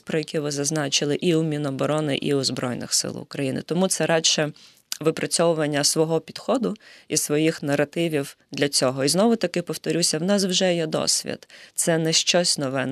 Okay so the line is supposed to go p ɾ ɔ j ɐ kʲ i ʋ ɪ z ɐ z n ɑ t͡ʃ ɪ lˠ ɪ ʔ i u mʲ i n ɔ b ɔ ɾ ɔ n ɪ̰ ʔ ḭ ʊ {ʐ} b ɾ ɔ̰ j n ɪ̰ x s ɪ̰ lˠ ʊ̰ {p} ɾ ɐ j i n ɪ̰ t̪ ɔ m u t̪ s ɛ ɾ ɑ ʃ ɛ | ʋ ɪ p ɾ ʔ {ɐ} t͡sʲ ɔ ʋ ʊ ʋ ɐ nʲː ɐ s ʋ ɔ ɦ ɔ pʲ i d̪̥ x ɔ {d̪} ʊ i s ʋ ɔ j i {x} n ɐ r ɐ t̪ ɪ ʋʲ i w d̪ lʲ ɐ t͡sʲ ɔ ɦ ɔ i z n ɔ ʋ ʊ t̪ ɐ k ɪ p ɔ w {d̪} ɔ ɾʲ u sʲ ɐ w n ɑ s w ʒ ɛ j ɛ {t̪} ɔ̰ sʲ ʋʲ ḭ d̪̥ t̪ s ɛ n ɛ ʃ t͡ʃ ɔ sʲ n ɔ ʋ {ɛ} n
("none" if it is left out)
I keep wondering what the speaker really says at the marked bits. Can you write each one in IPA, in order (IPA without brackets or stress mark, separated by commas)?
z, k, ɐ, d̪, x, t̪, d̪, ɛ